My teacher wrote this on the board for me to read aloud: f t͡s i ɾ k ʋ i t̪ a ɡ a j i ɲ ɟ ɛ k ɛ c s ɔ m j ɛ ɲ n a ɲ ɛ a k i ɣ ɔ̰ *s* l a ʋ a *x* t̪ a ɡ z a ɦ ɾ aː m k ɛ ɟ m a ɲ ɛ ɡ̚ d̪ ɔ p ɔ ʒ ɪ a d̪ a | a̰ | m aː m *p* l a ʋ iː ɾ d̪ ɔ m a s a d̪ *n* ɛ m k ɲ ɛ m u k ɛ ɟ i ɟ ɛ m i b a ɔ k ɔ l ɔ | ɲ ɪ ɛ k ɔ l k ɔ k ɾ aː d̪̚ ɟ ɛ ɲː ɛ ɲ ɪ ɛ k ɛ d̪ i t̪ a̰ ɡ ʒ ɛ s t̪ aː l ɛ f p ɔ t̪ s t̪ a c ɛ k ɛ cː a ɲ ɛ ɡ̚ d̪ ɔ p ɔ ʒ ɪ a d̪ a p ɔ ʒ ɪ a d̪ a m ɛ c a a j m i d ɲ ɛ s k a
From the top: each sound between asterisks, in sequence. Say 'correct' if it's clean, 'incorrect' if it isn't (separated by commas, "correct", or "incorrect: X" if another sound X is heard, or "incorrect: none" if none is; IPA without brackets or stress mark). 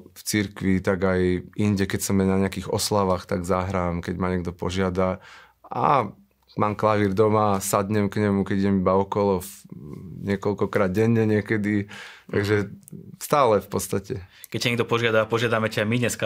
correct, correct, incorrect: k, incorrect: ɲ